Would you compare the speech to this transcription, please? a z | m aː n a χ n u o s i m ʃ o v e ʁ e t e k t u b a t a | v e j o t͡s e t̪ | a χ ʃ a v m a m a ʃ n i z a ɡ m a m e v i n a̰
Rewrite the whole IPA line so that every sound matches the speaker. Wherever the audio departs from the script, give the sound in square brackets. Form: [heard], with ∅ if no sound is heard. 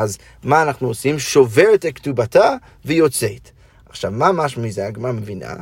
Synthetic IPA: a z | m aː n a χ n u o s i m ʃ o v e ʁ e t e k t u b a t a | v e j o t͡s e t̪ | a χ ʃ a v m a m a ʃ [m] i z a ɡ m a m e v i n a̰